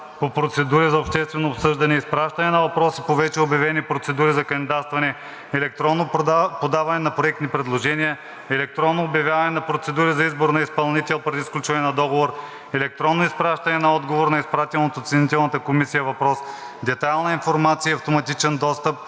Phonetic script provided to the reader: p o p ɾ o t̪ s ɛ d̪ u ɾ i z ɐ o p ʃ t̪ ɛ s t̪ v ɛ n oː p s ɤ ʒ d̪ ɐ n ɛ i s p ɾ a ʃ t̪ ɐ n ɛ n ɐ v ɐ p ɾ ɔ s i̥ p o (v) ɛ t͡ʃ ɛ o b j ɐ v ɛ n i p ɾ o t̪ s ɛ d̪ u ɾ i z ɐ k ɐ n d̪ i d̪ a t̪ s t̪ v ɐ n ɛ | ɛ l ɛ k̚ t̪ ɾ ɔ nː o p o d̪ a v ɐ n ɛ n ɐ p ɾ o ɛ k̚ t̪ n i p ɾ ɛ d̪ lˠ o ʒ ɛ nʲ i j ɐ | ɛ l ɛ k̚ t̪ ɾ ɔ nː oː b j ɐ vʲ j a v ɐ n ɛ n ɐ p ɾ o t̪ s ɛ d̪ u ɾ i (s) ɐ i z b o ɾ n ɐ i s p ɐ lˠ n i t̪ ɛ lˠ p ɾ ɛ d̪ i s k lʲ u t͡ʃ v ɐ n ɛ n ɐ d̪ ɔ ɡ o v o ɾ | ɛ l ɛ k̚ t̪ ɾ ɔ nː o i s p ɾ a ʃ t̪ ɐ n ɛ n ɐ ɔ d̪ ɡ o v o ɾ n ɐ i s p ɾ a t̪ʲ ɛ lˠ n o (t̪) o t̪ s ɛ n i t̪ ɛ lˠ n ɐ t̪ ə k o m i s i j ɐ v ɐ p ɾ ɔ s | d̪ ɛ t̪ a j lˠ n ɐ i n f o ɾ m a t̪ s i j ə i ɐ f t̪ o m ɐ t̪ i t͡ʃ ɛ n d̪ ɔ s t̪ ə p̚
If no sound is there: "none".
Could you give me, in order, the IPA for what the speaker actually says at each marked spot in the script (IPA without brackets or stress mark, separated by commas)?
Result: v, z, t̪